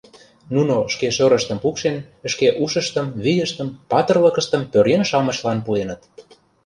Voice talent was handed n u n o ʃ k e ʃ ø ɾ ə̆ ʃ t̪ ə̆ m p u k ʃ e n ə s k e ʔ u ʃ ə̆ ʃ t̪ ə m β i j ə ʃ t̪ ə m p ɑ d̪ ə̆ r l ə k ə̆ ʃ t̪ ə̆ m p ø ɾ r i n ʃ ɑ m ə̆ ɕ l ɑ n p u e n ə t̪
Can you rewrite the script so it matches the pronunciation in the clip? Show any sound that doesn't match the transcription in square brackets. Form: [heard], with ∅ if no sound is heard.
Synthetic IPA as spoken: n u n o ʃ k e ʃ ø ɾ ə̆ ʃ t̪ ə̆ m p u k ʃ e n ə [ʃ] k e ʔ u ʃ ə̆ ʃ t̪ ə m β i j ə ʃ t̪ ə m p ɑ [t̪] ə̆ r l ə k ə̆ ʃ t̪ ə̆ m p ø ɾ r [e] n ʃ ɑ m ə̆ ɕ l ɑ n p u e n ə t̪